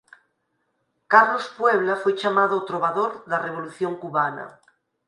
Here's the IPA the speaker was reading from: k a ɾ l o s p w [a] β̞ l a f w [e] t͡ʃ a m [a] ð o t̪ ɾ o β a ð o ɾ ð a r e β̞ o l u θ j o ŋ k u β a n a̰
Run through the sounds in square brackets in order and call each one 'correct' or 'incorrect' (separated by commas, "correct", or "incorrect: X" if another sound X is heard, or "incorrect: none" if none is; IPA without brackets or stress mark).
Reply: incorrect: e, correct, correct